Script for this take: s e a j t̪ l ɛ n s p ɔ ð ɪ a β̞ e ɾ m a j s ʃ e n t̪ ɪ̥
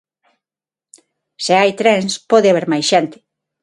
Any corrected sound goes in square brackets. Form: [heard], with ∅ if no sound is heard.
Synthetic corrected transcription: s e a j t̪ [ɾ] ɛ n s p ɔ ð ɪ a β̞ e ɾ m a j s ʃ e n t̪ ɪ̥